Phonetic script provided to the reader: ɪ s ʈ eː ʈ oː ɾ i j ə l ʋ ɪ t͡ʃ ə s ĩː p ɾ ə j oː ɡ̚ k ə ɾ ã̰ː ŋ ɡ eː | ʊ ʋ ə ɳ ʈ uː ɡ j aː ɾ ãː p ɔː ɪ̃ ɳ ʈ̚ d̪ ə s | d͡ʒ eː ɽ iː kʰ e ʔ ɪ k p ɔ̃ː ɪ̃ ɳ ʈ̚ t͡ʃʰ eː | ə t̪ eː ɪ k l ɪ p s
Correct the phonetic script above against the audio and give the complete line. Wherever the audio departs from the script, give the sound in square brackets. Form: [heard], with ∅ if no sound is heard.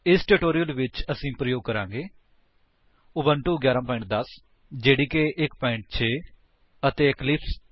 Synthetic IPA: ɪ s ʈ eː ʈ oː ɾ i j ə l ʋ ɪ t͡ʃ ə s ĩː p ɾ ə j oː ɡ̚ k ə ɾ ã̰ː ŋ ɡ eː | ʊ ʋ ə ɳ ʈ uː ɡ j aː ɾ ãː p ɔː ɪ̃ ɳ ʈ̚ d̪ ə s | d͡ʒ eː ɽ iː [k] e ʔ ɪ k p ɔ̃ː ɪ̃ ɳ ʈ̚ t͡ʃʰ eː | ə t̪ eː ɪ k l ɪ p s